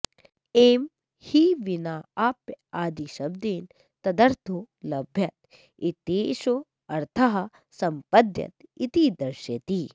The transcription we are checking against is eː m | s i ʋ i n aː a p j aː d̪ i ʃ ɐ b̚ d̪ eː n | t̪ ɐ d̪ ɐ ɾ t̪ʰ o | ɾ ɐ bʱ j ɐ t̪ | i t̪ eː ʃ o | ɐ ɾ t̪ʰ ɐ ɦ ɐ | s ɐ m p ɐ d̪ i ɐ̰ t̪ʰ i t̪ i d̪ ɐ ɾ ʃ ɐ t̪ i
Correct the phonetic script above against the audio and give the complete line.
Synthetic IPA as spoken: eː m | h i ʋ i n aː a p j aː d̪ i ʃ ɐ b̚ d̪ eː n | t̪ ɐ d̪ ɐ ɾ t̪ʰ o | l ɐ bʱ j ɐ t̪ | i t̪ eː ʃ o | ɐ ɾ t̪ʰ ɐ ɦ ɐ | s ɐ m p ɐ d̪ j ɐ̰ t̪ i t̪ i d̪ ɐ ɾ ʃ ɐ t̪ i